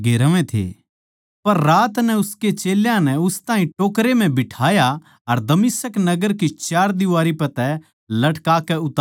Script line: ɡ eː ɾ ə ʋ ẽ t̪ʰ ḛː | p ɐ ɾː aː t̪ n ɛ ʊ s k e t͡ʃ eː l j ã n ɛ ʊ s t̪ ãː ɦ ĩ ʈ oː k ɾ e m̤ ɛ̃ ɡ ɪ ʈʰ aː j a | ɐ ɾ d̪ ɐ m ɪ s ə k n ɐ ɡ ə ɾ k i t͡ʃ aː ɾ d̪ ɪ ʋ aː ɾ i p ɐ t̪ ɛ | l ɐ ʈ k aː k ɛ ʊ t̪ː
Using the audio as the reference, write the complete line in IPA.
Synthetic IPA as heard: ɡ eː ɾ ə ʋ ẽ t̪ʰ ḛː | p ɐ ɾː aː t̪ n ɛ ʊ s k e t͡ʃ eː l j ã n ɛ ʊ s t̪ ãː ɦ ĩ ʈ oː k ɾ e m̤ ɛ̃ b ɪ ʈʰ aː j a | ɐ ɾ d̪ ɐ m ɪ s ə k n ɐ ɡ ə ɾ k i t͡ʃ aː ɾ d̪ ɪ ʋ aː ɾ i p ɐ t̪ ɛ | l ɐ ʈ k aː k ɛ ʊ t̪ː